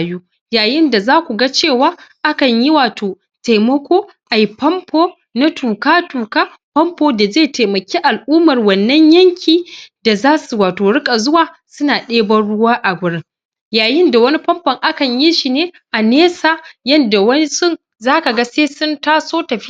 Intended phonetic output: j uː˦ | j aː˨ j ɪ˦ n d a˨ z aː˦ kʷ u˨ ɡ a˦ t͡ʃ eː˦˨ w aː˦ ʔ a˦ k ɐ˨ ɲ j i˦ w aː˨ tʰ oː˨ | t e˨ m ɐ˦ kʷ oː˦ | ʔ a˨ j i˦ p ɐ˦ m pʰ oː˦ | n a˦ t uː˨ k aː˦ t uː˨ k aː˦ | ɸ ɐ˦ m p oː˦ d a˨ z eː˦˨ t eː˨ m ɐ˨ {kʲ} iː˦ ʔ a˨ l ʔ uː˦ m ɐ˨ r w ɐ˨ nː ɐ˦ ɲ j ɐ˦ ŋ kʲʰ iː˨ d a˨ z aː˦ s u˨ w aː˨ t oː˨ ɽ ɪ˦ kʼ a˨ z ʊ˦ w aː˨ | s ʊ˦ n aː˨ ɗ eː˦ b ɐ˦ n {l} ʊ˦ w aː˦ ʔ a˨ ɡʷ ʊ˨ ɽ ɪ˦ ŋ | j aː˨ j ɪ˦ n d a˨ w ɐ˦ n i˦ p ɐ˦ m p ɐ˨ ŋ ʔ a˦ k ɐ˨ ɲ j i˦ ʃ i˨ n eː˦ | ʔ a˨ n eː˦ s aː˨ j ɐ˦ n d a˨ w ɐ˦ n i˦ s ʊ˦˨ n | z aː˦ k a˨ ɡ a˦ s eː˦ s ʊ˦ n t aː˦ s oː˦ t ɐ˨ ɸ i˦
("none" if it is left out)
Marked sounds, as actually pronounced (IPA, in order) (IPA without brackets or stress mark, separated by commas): kʲ, ɽ